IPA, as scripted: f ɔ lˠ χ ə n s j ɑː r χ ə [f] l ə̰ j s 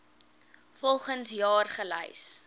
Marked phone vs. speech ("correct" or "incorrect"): incorrect